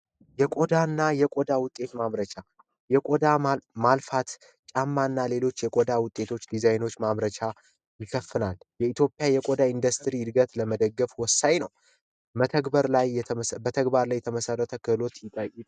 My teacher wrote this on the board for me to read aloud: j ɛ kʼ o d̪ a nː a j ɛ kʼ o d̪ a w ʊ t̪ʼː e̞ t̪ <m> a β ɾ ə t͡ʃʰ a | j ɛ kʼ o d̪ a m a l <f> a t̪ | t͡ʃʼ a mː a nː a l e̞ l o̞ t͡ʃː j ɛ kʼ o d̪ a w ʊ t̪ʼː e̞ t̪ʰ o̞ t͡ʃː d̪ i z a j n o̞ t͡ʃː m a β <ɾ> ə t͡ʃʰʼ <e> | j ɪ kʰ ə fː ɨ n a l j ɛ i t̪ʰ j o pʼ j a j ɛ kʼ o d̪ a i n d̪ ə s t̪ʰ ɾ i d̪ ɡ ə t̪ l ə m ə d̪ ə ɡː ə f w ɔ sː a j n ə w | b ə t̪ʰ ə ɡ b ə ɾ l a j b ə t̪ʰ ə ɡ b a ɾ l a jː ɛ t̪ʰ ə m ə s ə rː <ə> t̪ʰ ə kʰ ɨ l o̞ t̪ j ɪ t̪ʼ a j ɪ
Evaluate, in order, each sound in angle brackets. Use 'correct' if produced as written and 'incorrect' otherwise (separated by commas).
correct, correct, correct, incorrect, correct